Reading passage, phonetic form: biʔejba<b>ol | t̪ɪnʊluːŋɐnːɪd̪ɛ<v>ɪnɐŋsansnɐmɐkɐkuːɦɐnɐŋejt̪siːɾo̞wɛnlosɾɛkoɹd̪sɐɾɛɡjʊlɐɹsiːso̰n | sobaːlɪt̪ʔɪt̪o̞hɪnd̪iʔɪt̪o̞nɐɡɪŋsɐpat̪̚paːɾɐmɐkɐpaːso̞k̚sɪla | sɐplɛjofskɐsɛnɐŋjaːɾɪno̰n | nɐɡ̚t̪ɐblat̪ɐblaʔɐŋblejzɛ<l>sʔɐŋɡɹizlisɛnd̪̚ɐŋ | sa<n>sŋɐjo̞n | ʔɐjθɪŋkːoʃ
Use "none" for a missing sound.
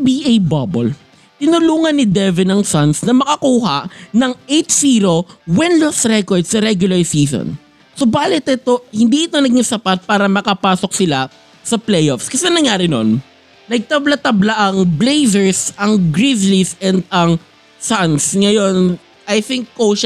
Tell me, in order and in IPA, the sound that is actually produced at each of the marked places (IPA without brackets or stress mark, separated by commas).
b, v, ɹ, n